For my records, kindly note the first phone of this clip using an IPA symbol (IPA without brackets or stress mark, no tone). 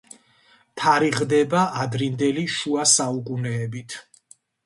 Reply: t̪ʰ